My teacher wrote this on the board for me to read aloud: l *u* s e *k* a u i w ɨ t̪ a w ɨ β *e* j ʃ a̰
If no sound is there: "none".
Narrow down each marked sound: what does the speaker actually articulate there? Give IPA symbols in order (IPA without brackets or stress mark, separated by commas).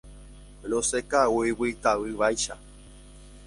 o, k, a